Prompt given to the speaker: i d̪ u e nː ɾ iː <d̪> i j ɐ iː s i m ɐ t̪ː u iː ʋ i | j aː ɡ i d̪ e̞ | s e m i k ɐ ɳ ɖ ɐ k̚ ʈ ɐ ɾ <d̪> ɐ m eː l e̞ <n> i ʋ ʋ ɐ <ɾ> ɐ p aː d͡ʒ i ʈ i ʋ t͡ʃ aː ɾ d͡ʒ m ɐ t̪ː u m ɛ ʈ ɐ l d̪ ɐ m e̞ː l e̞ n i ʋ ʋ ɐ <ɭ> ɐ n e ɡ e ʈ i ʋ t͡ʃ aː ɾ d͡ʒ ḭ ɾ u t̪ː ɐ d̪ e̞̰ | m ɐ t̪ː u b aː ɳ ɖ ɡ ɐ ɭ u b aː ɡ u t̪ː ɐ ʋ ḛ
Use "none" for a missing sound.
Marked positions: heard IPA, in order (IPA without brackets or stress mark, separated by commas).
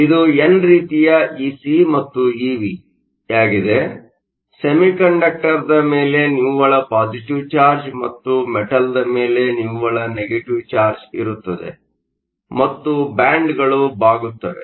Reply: t̪, d̪, n, ɭ, ɭ